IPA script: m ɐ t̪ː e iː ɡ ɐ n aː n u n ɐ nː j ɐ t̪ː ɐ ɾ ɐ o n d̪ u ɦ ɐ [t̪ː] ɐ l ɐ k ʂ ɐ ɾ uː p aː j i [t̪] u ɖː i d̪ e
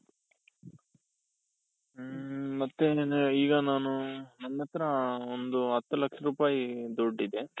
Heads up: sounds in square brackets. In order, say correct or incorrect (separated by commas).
correct, incorrect